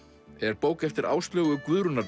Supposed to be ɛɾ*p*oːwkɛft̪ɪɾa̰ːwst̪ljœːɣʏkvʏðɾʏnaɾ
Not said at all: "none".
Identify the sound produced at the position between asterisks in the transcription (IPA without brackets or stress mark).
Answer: p